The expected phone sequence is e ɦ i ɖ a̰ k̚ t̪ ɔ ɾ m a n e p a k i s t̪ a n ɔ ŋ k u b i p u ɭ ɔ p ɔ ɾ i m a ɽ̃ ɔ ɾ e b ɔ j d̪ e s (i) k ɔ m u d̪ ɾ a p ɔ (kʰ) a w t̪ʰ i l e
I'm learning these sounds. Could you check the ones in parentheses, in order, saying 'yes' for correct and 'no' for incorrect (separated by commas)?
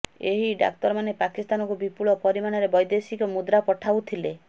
yes, no